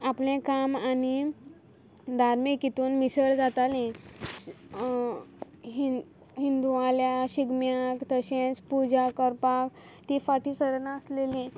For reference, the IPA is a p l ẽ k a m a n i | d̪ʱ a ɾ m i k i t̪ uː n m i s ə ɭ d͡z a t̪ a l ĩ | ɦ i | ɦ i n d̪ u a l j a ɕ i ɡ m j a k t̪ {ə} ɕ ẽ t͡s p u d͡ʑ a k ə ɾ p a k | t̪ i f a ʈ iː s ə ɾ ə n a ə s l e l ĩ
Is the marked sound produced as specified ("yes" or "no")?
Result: yes